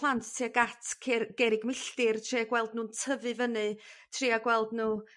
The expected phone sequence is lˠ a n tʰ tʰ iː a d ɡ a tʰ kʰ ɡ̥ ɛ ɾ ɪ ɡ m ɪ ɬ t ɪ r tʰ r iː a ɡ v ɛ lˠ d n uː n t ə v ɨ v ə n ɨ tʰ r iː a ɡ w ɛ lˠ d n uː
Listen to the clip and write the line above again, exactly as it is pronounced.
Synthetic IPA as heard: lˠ a n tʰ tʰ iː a ɡ a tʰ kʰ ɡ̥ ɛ ɾ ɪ ɡ m ɪ ɬ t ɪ r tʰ r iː a ɡ w ɛ lˠ d n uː n tʰ ə v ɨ v ə n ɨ tʰ r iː a ɡ w ɛ lˠ d n uː